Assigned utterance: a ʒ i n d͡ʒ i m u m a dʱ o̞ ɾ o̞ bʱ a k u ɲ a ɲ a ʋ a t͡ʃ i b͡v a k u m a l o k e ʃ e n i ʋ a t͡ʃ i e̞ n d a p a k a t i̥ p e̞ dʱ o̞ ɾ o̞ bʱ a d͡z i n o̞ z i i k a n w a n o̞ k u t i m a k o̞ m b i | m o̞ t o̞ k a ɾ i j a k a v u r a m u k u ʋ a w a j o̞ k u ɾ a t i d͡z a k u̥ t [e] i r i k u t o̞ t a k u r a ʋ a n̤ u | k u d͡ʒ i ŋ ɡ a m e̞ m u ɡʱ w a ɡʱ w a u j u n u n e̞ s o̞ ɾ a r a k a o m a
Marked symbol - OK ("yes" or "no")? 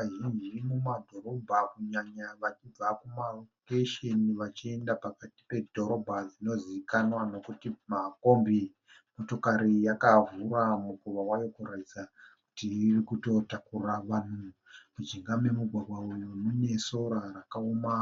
no